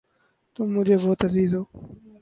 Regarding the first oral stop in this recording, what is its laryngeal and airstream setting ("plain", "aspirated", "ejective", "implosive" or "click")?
plain